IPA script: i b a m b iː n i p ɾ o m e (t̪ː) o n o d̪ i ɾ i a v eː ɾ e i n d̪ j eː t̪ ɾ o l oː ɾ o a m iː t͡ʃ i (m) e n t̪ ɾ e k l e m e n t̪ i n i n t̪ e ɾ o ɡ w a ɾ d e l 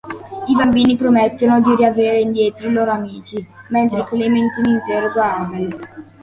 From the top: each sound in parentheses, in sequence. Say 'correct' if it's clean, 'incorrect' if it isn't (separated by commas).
correct, correct